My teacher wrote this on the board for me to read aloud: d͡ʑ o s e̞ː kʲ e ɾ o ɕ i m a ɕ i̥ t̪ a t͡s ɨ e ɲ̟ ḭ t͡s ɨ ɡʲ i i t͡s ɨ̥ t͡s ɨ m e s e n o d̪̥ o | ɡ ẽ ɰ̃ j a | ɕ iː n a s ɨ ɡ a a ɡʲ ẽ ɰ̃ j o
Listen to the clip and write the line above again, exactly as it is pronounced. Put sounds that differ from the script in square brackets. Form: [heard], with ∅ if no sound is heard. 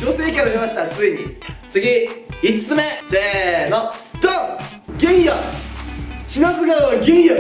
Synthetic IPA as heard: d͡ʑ o s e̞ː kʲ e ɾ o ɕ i m a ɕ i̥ t̪ a t͡s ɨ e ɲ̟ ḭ t͡s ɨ ɡʲ i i t͡s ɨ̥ t͡s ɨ m e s e n o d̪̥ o | ɡ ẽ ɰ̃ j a | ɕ [i] n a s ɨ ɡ a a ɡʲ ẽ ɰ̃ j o